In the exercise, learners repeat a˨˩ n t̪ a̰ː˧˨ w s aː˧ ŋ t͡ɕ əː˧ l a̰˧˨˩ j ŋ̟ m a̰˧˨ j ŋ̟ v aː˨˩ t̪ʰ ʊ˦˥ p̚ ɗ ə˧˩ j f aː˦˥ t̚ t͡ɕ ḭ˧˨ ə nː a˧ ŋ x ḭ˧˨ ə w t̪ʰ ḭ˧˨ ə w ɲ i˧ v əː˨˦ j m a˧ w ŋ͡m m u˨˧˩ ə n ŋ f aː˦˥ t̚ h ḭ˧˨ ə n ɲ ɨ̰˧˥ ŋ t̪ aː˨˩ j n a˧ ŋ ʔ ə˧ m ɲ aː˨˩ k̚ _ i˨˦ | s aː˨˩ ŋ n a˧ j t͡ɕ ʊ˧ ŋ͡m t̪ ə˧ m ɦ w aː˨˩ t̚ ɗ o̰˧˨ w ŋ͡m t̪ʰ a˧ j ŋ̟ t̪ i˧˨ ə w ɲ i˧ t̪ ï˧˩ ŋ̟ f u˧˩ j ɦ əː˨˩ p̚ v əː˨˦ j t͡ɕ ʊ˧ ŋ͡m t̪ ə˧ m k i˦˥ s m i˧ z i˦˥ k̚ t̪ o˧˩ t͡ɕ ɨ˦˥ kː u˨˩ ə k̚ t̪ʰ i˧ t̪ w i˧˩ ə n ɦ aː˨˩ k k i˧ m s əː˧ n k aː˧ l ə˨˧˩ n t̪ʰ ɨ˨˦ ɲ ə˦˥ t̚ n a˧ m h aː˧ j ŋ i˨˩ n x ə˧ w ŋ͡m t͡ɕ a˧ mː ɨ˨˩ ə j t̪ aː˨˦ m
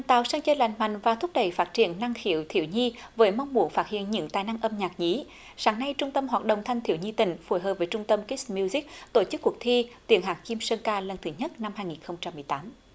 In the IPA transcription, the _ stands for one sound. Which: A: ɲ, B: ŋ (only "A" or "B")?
A